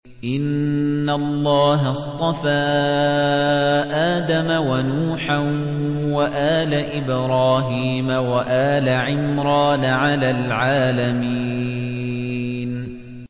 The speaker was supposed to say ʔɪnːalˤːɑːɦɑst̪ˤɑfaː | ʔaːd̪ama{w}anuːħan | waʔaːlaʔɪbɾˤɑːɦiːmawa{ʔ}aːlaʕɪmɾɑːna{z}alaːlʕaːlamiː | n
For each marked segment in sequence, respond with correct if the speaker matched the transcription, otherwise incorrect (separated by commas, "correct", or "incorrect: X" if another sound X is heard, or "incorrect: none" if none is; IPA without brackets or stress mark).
correct, correct, incorrect: ʕ